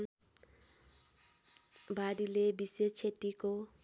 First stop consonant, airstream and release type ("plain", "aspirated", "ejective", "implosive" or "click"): plain